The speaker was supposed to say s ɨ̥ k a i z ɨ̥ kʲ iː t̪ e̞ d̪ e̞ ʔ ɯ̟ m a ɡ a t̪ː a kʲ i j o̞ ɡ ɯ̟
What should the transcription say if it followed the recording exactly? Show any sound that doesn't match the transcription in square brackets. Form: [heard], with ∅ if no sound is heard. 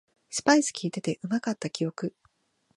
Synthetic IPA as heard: s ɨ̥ [p] a i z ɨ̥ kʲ iː t̪ e̞ [t̪] e̞ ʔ ɯ̟ m a [k] a t̪ː a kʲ i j o̞ [k] ɯ̟